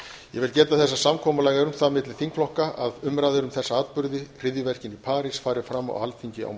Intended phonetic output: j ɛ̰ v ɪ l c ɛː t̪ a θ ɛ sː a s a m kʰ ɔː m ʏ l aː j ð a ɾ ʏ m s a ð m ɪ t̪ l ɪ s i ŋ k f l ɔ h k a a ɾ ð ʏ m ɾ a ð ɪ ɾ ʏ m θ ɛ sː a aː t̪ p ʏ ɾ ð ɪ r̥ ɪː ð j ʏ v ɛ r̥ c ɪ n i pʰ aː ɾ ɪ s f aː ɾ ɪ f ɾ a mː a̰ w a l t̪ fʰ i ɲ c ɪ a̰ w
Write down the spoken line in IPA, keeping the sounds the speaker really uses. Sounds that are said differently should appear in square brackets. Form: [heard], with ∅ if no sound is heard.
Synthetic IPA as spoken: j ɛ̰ v ɪ l c ɛː t̪ a θ ɛ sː a s a m kʰ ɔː m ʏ l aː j [ɣ] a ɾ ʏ m [θ] a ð m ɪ t̪ l ɪ [θ] i ŋ k f l ɔ h k a a [∅] ð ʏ m ɾ a ð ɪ ɾ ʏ m θ ɛ sː a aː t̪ p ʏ ɾ ð ɪ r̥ [ɪ] ð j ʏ v ɛ r̥ c ɪ n i pʰ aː ɾ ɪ s f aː ɾ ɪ f ɾ a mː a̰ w a l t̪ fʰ i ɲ c ɪ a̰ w